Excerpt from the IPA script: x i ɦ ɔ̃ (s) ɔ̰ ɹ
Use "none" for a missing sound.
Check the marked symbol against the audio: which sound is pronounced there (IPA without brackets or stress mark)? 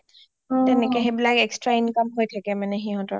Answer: t